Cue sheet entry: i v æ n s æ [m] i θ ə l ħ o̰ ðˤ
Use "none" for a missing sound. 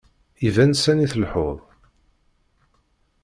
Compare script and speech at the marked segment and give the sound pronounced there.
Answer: n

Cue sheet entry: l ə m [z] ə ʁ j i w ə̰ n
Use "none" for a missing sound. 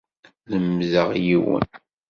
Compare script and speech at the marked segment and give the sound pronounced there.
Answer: z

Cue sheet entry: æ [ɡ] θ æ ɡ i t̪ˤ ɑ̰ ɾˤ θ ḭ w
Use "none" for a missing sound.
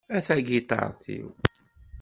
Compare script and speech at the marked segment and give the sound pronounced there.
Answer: none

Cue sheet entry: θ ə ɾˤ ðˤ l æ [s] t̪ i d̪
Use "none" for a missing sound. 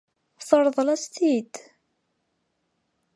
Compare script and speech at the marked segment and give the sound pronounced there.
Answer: s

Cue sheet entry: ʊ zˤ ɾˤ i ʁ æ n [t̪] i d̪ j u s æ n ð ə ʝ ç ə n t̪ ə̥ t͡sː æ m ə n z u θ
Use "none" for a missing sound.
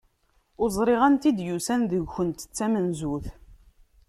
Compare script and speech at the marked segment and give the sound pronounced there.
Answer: t̪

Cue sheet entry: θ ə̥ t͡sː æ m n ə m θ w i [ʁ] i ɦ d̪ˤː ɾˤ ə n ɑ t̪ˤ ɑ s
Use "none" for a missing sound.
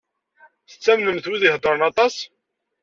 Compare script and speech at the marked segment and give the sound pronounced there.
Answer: ð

